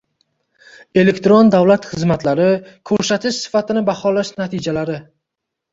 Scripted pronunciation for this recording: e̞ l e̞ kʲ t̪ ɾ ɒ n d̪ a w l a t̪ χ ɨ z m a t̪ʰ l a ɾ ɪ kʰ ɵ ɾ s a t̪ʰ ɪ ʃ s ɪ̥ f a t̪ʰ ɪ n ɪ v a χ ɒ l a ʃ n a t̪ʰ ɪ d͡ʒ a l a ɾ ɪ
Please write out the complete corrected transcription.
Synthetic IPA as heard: e̞ l e̞ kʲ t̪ ɾ o n d̪ a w l a t̪ χ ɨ z m a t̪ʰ l a ɾ ɪ kʰ ɵ ɾ s a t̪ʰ ɪ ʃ s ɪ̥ f a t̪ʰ ɪ n ɪ b a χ ɒ l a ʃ n a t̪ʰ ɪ d͡ʒ a l a ɾ ɪ

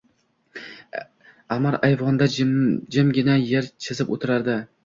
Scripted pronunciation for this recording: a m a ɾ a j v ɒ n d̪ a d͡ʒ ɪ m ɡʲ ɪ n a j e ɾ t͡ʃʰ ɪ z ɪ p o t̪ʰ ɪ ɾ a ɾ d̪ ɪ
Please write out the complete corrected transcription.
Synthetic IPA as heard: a m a ɾ a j v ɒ n d̪ a d͡ʒ ɪ m ɡʲ ɪ n a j e ɾ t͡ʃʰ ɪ z ɪ p o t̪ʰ ɪ ɾ a ɾ d̪ ɪ

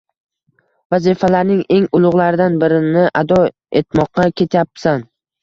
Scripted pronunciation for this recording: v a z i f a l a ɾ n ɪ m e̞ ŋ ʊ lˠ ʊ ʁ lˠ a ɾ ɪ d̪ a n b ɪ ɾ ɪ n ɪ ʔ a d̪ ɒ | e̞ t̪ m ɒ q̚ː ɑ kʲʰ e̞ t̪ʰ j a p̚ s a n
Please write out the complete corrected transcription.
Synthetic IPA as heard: v a z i f a l a ɾ n ɪ ŋ e̞ ŋ ʊ lˠ ʊ ʁ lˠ a ɾ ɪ d̪ a n b ɪ ɾ ɪ n ɪ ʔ a d̪ ɒ | e̞ t̪ m ɒ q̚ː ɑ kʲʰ e̞ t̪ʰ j a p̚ s a n

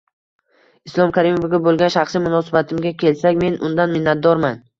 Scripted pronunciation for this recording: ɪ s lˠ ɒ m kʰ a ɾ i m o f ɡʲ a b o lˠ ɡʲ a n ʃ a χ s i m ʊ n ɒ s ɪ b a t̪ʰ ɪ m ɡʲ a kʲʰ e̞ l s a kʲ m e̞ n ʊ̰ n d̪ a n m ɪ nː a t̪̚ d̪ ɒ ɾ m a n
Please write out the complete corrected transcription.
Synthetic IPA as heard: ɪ s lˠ ɒ m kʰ a ɾ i m o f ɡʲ a b o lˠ ɡʲ a n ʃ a χ s i m ʊ n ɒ s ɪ b a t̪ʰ ɪ m ɡʲ a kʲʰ e̞ l s a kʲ m e̞ n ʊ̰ n d̪ a n m ɪ nː a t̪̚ d̪ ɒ ɾ m a n

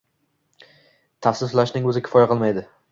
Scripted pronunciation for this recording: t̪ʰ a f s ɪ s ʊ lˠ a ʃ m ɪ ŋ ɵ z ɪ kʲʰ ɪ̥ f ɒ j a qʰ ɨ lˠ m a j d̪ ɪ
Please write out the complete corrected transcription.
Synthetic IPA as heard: t̪ʰ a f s ɪ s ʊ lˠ a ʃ n ɪ ŋ ɵ z ɪ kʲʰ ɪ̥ f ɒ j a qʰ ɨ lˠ m a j d̪ ɪ

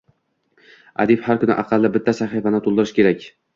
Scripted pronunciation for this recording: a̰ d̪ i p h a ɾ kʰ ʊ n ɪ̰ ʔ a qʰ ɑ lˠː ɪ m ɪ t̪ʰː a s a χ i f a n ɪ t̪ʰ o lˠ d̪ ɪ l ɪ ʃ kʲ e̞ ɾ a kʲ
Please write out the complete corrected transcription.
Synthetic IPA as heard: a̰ d̪ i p h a ɾ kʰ ʊ n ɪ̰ ʔ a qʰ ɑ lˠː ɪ b ɪ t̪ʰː a s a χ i f a n ɪ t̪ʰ o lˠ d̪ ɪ ɾ ɪ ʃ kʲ e̞ ɾ a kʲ

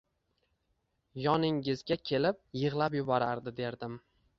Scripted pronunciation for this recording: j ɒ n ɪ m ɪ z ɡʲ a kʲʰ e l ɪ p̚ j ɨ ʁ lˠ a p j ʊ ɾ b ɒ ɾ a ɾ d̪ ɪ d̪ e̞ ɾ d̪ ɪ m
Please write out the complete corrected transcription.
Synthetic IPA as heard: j ɒ n ɪ ŋ ɪ z ɡʲ a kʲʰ e l ɪ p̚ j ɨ ʁ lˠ a p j ʊ b ɒ ɾ a ɾ d̪ ɪ d̪ e̞ ɾ d̪ ɪ m

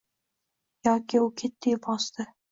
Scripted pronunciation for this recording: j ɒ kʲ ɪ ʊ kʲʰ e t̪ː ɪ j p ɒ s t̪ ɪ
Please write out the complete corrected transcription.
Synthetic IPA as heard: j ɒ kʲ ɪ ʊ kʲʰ e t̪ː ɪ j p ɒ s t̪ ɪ

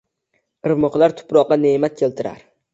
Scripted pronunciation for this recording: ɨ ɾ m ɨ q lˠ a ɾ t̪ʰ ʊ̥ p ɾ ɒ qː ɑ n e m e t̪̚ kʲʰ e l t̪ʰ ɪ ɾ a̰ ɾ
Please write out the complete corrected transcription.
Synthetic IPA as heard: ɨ ɾ m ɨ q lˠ a ɾ t̪ʰ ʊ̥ p ɾ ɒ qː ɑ n e m a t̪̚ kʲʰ e l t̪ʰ ɪ ɾ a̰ ɾ

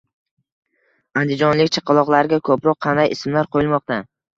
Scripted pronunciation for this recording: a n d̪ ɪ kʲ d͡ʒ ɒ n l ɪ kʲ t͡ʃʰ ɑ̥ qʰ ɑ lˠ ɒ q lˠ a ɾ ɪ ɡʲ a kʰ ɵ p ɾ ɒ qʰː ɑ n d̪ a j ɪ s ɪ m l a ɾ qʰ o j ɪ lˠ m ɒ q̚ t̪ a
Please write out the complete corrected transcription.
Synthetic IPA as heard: a n d̪ ɪ d͡ʒ ɒ n l ɪ kʲ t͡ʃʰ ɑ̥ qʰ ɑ lˠ ɒ q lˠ a ɾ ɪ ɡʲ a kʰ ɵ p ɾ ɒ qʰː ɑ n d̪ a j ɪ s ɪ m l a ɾ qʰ o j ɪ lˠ m ɒ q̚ t̪ a

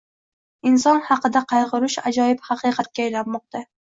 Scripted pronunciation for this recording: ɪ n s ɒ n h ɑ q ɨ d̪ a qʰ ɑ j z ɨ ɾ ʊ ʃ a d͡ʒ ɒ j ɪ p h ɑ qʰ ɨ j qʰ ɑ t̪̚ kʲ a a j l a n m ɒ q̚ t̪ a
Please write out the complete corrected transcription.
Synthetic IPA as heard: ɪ n s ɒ n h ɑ q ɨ d̪ a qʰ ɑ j ʁ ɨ ɾ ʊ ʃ a d͡ʒ ɒ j ɪ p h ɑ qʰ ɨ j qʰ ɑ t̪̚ kʲ a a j l a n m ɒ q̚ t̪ a

